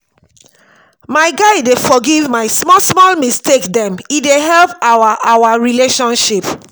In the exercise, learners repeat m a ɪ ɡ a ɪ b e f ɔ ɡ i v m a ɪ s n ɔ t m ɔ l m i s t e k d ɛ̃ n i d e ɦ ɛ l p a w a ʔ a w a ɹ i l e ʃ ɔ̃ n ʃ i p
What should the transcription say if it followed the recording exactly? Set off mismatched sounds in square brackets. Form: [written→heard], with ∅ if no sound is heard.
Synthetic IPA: m a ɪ ɡ a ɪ [b→d] e f ɔ ɡ i v m a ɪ s [n→m] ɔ [t→s] m ɔ l m i s t e k d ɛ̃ [n→m] i d e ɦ ɛ l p a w a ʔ a w a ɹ i l e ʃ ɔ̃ n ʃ i p